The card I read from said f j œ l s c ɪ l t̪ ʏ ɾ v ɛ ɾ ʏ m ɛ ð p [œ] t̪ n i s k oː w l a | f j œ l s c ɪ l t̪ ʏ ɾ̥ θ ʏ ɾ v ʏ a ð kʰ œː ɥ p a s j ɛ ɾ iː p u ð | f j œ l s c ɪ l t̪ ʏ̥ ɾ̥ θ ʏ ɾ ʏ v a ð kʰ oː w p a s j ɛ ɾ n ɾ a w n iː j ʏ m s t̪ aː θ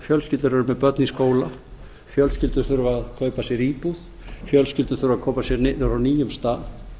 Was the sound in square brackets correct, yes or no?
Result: yes